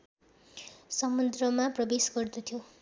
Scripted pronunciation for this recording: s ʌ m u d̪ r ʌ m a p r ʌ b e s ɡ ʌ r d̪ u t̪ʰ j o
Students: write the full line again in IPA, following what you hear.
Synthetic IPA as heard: s ʌ m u d̪ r ʌ m a p r ʌ b e s ɡ ʌ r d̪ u t̪ʰ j o